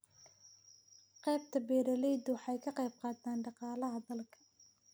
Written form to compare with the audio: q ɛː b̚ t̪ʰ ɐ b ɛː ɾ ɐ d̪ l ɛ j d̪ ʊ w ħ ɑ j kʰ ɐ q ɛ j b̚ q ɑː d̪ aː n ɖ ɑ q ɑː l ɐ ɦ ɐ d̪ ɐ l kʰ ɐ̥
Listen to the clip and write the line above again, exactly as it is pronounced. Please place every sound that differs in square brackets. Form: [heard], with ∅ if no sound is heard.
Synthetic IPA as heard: q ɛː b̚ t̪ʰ ɐ b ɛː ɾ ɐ [∅] l ɛ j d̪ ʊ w ħ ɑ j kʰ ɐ q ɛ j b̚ q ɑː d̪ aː n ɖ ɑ q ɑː l ɐ ɦ ɐ d̪ ɐ l kʰ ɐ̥